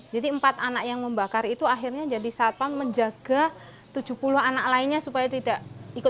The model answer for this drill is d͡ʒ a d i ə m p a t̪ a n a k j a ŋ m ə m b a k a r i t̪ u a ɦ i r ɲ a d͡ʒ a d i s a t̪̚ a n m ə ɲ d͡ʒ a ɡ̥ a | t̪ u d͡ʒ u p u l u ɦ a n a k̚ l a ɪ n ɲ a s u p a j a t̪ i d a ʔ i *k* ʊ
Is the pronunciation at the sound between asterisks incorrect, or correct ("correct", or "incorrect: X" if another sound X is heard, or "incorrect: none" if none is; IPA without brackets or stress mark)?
correct